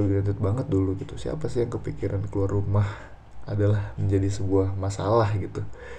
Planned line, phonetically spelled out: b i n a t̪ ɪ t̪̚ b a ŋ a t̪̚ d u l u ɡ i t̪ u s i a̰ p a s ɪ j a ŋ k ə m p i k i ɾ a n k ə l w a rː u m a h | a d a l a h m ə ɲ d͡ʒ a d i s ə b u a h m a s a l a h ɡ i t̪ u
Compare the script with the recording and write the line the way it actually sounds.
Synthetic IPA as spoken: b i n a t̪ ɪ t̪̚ b a ŋ ə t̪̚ d u l u ɡ i t̪ u s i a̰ p a s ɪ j a ŋ k ə p i k i ɾ a n k ə l u a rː u m a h | a d a l a h m ə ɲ d͡ʒ a d i s ə b u a h m a s a l a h ɡ i t̪ u